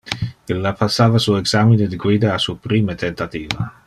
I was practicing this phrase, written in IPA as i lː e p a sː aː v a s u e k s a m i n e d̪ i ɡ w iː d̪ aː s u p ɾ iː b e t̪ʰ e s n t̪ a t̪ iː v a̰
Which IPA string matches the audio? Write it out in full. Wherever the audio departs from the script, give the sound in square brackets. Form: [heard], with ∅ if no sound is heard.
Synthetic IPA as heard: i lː [a] p a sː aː v a s u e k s a m i n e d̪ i ɡ w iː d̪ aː s u p ɾ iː [m] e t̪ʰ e [∅] n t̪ a t̪ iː v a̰